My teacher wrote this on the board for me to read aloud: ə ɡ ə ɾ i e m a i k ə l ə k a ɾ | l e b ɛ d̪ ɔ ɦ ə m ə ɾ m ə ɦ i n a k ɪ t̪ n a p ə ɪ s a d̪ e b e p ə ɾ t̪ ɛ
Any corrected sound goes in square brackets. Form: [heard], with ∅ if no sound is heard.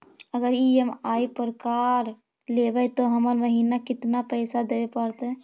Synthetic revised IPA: ə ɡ ə ɾ i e m a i [p] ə [ɾ] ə k a ɾ | l e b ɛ [t̪] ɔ ɦ ə m ə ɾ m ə ɦ i n a k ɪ t̪ n a p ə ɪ s a d̪ e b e p ə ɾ t̪ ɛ